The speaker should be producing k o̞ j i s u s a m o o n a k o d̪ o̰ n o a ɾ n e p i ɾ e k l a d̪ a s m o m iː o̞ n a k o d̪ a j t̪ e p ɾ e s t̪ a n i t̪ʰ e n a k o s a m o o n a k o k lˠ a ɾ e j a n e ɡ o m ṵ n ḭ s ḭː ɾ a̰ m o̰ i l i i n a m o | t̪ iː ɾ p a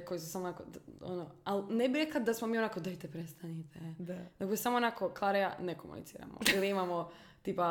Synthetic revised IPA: k o̞ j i s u s a m o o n a k o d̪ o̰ n o a l n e b i ɾ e k l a d̪ a s m o m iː o̞ n a k o d̪ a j t̪ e p ɾ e s t̪ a n i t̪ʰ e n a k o s a m o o n a k o k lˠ a ɾ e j a n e k o m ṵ n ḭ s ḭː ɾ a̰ m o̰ i l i i m a m o | t̪ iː p a